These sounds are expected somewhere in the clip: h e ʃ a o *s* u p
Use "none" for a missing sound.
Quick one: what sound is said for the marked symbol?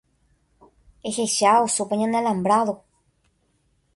s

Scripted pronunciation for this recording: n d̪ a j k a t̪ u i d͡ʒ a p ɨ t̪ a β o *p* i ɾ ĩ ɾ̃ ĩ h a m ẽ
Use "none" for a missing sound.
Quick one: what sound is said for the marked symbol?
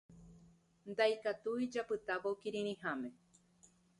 k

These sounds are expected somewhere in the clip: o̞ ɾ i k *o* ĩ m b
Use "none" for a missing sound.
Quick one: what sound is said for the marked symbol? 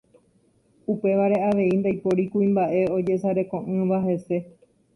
u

